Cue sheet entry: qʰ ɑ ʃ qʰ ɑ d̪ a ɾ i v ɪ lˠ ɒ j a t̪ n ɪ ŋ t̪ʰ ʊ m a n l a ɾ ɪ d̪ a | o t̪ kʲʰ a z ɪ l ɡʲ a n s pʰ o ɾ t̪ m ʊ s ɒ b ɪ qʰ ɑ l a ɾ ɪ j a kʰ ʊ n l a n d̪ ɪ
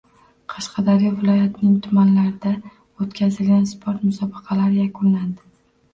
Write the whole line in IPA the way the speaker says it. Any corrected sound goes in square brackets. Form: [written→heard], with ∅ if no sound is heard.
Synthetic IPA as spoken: qʰ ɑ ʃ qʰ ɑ d̪ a ɾ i v ɪ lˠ ɒ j a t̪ n ɪ ŋ t̪ʰ ʊ m a n l a ɾ ɪ d̪ a | o t̪ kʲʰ a z ɪ l ɡʲ a n s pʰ o ɾ t̪ m ʊ s ɒ b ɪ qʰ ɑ l a ɾ ɪ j a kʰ ʊ n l a n d̪ ɪ